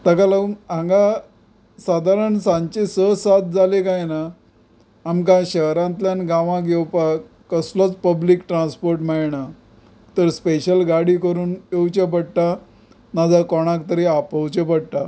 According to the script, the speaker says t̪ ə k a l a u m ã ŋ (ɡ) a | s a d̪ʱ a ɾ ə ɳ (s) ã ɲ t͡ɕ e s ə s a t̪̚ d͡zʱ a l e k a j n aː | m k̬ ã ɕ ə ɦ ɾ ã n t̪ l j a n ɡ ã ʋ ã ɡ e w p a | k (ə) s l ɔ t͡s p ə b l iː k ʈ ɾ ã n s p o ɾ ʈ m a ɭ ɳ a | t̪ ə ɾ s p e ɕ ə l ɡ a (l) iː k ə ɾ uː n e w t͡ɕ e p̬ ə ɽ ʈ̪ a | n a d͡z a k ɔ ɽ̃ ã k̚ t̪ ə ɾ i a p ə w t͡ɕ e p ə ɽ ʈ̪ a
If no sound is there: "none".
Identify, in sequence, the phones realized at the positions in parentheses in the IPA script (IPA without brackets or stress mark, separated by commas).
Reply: ɡ, s, ə, ɽ